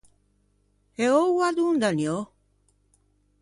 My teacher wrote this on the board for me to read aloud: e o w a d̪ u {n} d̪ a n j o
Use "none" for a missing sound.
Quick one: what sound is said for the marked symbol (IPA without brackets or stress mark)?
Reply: n